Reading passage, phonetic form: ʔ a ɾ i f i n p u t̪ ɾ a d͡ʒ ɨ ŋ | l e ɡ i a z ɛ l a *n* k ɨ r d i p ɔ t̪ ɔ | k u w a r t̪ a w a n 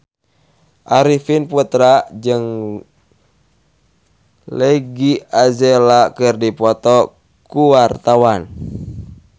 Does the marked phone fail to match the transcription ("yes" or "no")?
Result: yes